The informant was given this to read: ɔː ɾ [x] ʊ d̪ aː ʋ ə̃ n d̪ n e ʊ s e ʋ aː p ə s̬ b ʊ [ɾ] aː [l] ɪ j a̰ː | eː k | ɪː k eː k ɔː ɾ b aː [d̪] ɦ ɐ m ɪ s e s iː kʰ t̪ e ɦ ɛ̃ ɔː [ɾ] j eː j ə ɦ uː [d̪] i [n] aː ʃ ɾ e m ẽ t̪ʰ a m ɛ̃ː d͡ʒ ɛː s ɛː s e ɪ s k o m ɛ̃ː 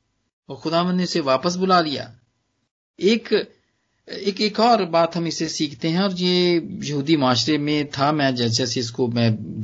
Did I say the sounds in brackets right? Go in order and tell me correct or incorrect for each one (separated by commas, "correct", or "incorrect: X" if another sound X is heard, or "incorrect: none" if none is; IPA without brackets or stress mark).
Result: correct, incorrect: l, correct, incorrect: t̪, correct, correct, incorrect: m